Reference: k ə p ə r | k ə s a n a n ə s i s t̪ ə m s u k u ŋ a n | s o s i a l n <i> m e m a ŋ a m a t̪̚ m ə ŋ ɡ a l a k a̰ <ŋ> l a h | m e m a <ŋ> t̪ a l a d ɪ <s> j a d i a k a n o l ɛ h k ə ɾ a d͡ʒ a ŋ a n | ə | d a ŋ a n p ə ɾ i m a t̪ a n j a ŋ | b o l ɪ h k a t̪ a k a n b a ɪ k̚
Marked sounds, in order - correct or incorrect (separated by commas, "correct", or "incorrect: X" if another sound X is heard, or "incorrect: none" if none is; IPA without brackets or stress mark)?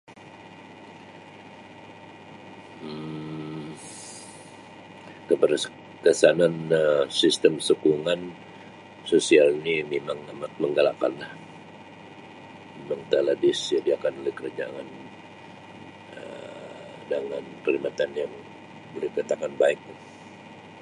correct, incorrect: n, correct, correct